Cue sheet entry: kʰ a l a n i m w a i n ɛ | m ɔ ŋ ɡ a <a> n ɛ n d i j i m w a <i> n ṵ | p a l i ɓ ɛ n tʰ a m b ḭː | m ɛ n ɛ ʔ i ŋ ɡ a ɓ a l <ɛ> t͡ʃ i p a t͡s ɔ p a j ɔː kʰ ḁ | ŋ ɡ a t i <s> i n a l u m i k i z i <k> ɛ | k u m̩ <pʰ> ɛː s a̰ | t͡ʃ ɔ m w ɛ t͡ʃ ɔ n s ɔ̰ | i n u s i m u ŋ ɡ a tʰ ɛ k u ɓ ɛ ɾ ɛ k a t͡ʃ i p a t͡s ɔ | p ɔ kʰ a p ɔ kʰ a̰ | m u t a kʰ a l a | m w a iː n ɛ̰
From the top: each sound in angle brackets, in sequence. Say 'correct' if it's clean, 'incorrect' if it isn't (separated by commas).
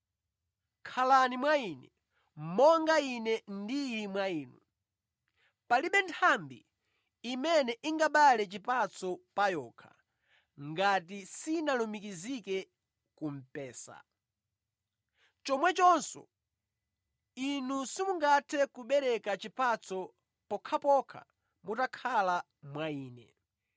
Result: incorrect, incorrect, correct, correct, correct, incorrect